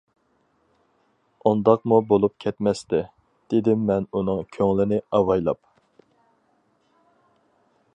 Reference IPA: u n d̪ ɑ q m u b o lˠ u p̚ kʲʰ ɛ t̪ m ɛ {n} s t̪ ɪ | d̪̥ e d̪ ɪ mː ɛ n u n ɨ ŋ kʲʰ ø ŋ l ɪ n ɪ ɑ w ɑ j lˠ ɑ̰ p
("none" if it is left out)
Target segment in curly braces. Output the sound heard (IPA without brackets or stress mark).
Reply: none